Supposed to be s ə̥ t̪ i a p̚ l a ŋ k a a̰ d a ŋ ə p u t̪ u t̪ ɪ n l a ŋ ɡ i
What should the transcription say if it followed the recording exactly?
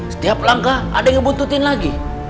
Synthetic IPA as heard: s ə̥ t̪ i a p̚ l a ŋ k a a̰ d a ŋ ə b u t̪ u t̪ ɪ n l a ɡ i